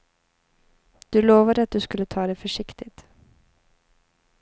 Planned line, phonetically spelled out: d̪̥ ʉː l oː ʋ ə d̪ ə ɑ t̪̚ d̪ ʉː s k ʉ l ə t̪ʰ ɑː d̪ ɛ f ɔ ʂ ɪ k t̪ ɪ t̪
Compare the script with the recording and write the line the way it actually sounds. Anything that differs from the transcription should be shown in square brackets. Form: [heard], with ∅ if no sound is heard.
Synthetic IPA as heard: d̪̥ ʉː l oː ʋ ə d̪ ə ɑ t̪̚ d̪ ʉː s k ʉ l ə t̪ʰ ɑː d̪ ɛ f ɔ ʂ ɪ k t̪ ɪ t̪